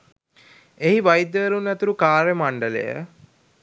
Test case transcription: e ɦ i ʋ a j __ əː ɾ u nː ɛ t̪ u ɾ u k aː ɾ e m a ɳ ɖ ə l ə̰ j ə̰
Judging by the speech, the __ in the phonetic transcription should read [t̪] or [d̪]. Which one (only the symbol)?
d̪